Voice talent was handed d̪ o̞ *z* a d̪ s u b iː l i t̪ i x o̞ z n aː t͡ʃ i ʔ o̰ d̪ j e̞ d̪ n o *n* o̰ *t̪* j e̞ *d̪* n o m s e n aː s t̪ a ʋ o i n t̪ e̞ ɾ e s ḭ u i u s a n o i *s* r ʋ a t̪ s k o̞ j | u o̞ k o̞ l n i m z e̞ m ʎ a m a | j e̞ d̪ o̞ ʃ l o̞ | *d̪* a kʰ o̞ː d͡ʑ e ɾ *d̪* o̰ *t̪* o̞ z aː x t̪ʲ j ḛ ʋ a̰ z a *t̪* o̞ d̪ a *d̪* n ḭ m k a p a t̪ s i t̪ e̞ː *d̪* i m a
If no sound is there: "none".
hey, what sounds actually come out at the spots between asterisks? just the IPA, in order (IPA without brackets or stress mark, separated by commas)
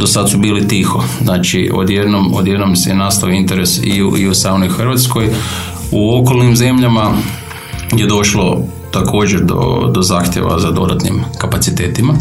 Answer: s, m, d̪, d̪, x, t̪, d̪, d̪, d̪, t̪, t̪